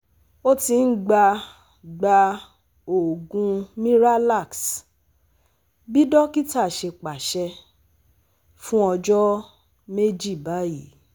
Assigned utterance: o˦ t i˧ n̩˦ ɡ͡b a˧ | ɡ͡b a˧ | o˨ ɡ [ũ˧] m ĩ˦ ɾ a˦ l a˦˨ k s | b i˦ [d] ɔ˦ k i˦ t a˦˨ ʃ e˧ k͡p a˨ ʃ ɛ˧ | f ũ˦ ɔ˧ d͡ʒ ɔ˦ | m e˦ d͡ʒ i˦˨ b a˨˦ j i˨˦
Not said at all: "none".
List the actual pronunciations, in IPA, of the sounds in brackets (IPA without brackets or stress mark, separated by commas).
ũ˧, d